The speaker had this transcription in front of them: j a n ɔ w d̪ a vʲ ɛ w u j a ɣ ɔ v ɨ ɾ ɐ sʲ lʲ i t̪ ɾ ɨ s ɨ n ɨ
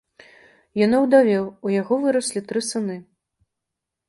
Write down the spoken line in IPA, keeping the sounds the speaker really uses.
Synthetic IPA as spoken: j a n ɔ w d̪ a vʲ ɛ w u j a ɣ ɔ v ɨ ɾ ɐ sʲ lʲ i t̪ ɾ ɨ s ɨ n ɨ

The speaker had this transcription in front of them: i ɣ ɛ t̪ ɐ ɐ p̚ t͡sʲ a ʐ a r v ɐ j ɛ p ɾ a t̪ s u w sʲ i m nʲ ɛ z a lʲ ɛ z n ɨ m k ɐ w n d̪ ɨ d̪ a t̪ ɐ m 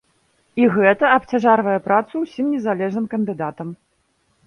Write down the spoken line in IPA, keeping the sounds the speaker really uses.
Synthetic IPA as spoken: i ɣ ɛ t̪ ɐ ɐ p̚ t͡sʲ a ʐ a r v ɐ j ɛ p ɾ a t̪ s u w sʲ i m nʲ ɛ z a lʲ ɛ ʐ n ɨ m k ɐ n d̪ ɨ d̪ a t̪ ɐ m

